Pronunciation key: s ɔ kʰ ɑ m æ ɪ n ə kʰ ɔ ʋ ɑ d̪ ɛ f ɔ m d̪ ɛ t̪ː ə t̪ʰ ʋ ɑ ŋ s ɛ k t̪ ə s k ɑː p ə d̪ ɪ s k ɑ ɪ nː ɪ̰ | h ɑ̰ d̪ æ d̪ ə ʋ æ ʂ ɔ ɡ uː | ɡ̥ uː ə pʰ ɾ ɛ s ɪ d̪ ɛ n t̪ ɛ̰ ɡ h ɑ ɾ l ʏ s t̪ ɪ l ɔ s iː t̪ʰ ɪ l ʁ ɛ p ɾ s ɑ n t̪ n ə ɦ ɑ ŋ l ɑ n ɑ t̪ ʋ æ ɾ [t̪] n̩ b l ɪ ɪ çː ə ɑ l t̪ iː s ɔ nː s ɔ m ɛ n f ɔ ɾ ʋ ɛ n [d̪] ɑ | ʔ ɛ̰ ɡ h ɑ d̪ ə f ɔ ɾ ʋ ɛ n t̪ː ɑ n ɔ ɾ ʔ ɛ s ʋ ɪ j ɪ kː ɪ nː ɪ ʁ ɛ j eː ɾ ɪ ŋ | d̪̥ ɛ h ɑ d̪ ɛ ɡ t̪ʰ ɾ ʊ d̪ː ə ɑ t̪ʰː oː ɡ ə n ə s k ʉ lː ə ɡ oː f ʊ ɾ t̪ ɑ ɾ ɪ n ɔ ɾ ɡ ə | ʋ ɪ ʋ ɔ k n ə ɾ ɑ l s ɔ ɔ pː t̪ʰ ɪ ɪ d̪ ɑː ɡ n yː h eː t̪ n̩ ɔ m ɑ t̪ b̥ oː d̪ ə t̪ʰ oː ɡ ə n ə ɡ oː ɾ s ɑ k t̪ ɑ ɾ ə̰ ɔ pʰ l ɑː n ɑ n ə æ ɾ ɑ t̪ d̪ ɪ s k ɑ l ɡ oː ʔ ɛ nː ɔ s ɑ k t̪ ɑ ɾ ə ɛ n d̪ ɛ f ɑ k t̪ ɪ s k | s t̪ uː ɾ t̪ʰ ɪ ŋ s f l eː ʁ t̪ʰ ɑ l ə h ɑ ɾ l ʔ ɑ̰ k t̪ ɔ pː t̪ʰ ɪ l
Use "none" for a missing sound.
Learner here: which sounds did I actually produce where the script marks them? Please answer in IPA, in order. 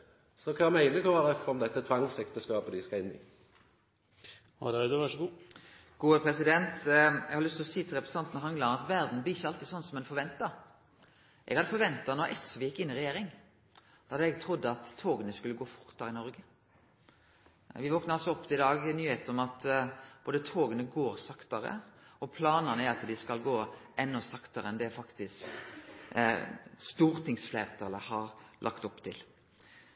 d̪, t̪

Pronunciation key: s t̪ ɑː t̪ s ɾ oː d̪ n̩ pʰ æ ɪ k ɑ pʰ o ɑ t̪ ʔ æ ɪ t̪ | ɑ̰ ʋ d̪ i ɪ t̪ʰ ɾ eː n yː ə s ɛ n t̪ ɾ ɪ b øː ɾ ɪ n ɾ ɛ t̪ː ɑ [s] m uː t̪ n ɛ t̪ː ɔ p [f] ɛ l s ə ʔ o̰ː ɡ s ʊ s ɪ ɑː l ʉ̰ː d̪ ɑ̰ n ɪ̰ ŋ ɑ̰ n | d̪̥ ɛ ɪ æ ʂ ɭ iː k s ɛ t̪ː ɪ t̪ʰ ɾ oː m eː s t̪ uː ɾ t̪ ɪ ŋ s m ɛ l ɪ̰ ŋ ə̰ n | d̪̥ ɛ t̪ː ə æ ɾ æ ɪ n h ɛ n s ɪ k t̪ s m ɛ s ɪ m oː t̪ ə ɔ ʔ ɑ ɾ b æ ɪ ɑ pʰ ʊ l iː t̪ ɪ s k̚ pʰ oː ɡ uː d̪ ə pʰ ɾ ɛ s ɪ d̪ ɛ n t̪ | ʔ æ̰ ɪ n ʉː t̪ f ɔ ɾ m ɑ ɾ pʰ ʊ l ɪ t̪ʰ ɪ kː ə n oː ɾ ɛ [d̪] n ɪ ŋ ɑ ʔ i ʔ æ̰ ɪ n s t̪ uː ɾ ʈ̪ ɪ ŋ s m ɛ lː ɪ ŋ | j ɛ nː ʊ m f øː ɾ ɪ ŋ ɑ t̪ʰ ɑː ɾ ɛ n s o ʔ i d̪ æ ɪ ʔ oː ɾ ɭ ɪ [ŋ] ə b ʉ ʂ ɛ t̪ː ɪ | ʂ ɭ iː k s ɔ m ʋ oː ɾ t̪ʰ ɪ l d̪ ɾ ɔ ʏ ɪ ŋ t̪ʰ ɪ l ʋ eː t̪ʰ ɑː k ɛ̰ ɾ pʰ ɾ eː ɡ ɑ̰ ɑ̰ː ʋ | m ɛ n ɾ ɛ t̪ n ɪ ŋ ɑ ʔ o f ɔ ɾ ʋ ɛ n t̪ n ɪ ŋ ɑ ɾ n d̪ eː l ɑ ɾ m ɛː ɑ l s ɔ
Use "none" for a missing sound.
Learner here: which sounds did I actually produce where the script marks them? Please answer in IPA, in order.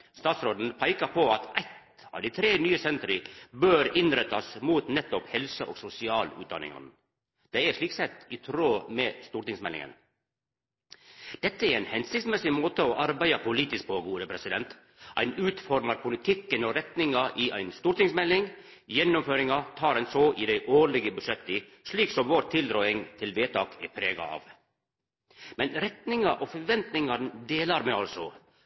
s, h, t̪, ɡ

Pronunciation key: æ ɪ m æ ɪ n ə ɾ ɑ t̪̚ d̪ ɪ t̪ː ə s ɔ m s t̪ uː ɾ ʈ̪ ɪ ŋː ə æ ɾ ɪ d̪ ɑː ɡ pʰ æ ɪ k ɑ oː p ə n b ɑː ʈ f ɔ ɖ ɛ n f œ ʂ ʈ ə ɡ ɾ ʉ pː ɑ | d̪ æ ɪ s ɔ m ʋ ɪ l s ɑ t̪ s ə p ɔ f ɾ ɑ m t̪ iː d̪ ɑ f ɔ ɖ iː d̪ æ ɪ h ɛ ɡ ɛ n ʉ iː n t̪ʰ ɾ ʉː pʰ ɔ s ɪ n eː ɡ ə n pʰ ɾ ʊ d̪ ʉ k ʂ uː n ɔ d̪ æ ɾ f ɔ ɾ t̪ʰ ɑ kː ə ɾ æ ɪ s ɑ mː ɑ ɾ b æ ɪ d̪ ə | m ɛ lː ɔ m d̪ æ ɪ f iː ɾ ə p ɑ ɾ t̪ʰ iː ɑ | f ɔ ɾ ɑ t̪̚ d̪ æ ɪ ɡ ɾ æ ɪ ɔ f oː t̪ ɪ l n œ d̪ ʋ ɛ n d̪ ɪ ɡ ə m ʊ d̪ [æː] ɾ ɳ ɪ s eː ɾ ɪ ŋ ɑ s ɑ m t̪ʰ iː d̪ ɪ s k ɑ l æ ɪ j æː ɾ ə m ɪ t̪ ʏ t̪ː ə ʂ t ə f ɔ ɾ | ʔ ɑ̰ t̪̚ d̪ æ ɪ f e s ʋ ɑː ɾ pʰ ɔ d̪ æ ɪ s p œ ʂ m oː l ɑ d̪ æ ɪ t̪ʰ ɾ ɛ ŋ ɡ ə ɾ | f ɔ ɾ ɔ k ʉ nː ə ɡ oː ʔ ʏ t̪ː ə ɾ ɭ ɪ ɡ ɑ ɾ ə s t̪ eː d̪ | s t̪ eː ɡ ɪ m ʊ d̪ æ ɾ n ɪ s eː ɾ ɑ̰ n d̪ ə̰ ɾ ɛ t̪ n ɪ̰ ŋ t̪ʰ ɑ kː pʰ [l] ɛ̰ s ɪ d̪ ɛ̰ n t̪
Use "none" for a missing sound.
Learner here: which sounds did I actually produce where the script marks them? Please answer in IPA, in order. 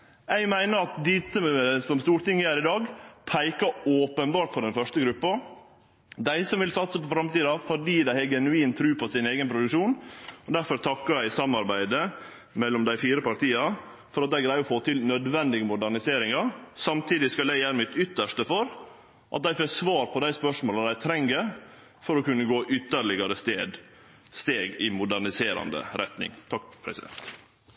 æ, ɾ

